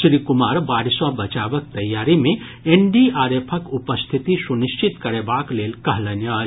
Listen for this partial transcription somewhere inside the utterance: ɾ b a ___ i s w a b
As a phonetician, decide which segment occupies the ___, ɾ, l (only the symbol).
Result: ɾ